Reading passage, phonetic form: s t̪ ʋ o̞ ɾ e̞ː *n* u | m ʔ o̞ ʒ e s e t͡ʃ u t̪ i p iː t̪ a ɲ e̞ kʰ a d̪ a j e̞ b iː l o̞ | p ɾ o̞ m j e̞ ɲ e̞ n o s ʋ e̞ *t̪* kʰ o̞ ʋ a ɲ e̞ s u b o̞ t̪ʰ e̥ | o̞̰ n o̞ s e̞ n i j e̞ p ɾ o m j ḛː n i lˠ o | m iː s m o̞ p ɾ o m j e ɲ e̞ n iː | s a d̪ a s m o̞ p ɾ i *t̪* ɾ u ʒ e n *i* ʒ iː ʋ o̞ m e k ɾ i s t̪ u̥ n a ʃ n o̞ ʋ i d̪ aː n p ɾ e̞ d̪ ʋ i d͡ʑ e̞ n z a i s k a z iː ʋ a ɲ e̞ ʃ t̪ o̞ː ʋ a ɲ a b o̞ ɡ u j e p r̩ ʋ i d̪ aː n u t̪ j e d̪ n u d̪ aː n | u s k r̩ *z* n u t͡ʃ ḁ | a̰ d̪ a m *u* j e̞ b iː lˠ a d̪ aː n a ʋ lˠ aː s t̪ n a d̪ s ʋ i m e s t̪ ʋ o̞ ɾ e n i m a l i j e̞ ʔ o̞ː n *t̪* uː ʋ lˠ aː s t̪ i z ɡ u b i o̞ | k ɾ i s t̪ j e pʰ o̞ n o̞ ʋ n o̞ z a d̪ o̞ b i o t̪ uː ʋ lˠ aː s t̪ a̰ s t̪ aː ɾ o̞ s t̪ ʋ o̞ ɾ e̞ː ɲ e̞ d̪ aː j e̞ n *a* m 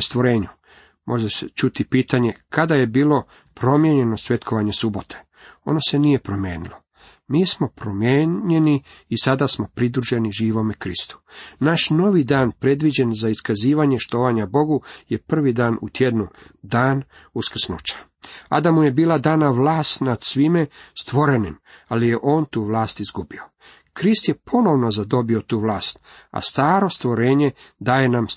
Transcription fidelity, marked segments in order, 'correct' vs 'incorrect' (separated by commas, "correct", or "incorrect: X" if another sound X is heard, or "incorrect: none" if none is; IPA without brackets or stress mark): incorrect: ɲ, correct, incorrect: d̪, correct, incorrect: s, correct, correct, correct